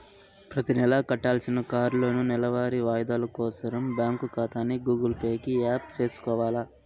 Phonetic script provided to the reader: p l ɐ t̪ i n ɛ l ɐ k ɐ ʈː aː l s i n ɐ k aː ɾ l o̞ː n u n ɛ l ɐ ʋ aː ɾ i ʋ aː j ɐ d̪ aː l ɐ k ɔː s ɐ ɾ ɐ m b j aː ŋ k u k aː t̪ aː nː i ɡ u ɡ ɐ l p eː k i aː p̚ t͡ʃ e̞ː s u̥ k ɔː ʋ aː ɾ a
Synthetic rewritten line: p ɾ ɐ t̪ i n ɛ l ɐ k ɐ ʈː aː l s i n ɐ k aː ɾ l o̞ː n u n ɛ l ɐ ʋ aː ɾ i ʋ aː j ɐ d̪ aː l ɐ k ɔː s ɐ ɾ ɐ m b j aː ŋ k u k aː t̪ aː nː i ɡ uː ɡ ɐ l p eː k i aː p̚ t͡ʃ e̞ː s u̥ k ɔː ʋ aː l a